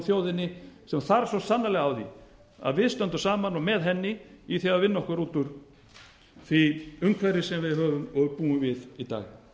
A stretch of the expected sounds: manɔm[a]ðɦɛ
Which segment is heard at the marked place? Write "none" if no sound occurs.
ɛ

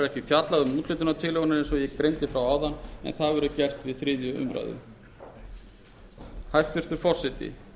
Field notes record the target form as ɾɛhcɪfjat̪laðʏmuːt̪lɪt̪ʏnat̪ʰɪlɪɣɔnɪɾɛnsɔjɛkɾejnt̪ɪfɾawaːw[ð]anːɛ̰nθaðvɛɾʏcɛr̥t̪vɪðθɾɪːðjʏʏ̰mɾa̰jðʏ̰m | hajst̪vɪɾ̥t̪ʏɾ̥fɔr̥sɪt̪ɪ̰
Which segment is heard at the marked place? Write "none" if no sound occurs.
ð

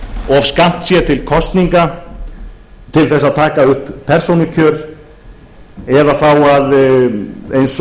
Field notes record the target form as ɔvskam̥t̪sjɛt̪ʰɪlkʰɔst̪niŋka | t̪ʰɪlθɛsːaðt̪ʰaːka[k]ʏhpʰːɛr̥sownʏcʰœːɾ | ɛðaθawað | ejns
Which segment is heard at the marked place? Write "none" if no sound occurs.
none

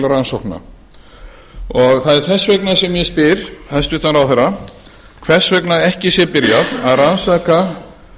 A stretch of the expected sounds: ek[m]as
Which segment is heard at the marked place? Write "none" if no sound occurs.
n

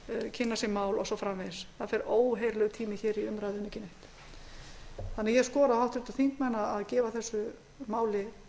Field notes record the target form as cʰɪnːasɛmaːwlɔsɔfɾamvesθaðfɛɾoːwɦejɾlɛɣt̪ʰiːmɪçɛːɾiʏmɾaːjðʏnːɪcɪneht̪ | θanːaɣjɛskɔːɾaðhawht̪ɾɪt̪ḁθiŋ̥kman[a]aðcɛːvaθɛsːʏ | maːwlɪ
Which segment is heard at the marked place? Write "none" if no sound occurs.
a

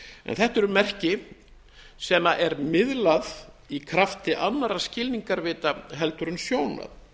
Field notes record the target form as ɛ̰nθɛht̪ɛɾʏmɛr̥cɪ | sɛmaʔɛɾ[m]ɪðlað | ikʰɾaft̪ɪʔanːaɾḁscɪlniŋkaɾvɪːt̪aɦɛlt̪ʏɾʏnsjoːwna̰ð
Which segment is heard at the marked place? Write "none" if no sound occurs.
m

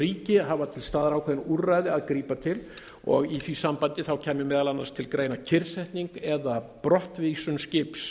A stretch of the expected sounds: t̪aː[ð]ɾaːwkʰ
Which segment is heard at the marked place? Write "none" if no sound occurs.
ð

